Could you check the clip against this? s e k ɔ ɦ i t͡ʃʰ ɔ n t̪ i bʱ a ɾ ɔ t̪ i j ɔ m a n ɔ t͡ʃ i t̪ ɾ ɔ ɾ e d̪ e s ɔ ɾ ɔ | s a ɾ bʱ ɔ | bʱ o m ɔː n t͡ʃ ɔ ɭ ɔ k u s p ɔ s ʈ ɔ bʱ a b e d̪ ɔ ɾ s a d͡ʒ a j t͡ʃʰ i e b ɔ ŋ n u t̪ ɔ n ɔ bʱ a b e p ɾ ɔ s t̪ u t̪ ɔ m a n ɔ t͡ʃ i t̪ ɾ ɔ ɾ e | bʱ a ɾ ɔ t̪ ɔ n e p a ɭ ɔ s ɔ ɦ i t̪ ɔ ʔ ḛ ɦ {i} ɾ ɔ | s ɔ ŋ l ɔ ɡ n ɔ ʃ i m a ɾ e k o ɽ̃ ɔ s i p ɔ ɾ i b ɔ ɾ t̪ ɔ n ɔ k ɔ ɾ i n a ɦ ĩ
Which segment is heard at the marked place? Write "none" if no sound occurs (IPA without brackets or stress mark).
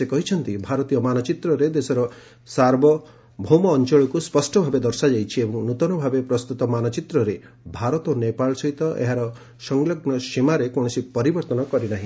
a